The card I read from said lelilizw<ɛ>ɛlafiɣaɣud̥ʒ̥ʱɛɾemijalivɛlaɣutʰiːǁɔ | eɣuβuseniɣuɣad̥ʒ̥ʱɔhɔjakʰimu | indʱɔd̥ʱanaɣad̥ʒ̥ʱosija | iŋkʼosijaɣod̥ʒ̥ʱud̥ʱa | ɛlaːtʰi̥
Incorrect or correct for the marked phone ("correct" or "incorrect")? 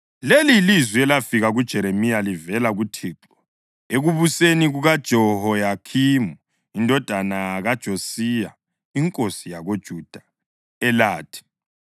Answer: incorrect